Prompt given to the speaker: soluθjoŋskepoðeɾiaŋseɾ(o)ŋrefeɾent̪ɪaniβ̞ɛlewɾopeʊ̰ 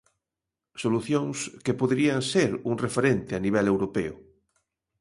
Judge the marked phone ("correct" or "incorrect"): incorrect